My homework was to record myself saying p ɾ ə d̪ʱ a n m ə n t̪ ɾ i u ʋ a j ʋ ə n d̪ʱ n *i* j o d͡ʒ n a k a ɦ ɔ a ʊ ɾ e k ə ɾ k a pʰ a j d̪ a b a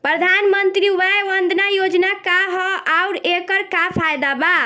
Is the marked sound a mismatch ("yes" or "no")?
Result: yes